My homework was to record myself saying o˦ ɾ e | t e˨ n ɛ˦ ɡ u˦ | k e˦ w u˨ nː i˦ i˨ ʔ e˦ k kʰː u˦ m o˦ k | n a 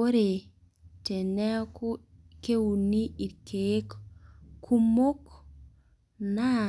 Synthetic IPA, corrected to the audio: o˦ ɾ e | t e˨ n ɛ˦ k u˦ | k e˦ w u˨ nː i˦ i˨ k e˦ k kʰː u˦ m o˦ k | n a